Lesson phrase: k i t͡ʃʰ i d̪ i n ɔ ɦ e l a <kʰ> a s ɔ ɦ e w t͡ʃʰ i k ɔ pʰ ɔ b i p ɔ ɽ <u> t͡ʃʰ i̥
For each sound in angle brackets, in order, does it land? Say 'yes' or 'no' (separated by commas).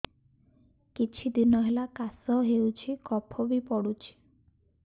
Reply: no, yes